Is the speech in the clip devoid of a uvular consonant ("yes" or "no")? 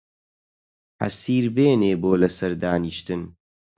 yes